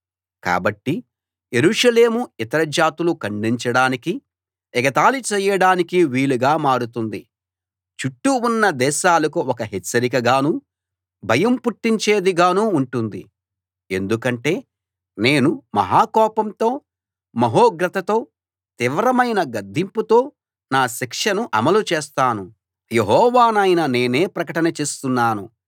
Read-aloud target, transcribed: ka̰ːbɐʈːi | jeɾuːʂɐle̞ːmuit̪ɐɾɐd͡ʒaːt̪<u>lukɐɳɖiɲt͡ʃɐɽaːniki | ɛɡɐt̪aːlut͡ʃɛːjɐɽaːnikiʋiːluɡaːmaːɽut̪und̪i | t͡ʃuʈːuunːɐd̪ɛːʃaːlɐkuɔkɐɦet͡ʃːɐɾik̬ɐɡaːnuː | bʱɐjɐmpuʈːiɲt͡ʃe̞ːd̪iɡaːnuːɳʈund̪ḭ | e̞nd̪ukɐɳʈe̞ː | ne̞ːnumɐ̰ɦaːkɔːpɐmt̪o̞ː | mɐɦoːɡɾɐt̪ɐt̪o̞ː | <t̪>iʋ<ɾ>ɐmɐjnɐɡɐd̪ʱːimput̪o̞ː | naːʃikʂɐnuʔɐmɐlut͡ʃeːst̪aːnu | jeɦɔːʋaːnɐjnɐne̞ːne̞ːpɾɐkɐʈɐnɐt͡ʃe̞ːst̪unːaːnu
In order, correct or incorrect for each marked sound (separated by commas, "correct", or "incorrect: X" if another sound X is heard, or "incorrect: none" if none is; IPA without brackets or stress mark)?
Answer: correct, correct, correct